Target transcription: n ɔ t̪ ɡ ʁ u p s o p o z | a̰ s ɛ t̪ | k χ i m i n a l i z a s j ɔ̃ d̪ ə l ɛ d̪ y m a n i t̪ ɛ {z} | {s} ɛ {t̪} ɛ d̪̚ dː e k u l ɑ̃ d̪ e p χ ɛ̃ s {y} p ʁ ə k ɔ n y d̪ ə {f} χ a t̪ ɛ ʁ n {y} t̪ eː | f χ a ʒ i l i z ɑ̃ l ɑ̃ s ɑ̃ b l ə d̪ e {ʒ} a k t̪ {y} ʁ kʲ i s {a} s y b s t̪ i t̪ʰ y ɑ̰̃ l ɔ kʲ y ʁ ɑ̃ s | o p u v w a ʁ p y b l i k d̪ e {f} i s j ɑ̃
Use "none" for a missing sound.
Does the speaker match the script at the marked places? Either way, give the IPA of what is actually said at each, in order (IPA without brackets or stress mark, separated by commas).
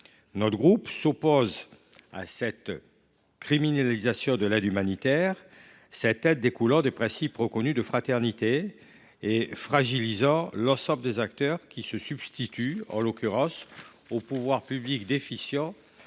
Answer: ʁ, s, t̪, i, f, i, z, œ, ə, f